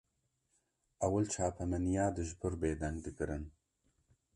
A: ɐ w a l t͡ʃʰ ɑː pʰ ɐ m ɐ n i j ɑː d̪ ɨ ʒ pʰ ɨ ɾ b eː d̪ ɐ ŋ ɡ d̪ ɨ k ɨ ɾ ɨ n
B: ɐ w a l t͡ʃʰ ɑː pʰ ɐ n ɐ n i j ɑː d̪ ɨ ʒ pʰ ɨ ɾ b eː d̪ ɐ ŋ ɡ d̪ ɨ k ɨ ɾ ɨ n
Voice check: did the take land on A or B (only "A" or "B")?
A